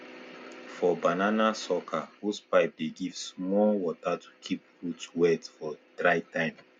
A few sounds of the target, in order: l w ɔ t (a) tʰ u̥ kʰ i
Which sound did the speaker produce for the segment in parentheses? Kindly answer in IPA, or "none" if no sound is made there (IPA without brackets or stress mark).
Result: a